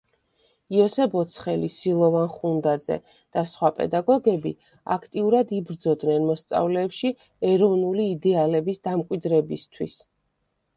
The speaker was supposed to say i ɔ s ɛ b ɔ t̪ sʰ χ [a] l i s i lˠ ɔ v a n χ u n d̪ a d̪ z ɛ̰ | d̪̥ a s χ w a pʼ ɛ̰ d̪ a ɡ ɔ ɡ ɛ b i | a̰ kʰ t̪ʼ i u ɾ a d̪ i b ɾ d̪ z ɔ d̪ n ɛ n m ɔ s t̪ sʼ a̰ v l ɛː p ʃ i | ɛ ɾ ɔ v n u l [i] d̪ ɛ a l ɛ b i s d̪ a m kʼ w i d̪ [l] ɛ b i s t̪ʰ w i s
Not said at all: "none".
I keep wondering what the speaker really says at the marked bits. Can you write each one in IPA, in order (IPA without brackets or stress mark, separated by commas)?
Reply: ɛ, iː, ɾ